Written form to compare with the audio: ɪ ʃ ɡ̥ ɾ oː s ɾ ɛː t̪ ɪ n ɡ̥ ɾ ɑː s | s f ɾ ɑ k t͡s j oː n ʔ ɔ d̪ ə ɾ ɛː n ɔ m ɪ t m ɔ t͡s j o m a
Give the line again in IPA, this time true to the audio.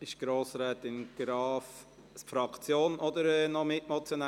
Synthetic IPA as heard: ɪ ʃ ɡ̥ ɾ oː s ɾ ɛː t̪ ɪ n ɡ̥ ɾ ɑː f | s f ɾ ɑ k t͡s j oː n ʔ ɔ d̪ ə ɾ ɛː n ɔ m ɪ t m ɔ t͡s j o n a